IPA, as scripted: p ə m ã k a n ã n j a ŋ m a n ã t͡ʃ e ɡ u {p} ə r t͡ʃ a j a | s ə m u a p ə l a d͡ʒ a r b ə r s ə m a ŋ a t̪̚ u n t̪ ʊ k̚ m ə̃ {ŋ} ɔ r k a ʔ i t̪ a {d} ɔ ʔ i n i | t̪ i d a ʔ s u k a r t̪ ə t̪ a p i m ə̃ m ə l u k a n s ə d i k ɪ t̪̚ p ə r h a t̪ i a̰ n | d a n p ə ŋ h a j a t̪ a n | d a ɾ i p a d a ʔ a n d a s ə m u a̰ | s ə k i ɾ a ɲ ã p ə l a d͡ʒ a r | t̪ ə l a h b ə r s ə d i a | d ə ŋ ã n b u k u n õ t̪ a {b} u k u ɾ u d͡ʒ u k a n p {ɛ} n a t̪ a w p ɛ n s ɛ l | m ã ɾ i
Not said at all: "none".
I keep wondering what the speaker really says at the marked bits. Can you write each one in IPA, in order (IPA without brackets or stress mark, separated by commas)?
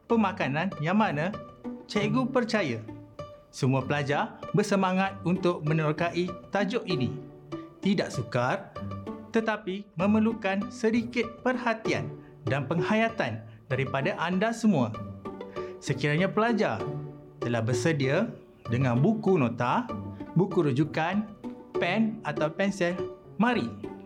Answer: p, n, d͡ʒ, b, ɛ